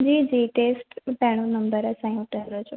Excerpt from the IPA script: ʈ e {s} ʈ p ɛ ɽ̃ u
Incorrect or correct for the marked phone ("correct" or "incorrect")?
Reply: correct